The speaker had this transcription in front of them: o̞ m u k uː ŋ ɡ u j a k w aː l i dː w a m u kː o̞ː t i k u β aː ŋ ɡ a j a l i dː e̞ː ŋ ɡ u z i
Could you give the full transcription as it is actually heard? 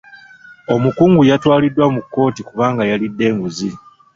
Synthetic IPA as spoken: o̞ m u k uː ŋ ɡ u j a t w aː l i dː w a m u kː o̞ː t i k u β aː ŋ ɡ a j a l i dː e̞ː ŋ ɡ u z i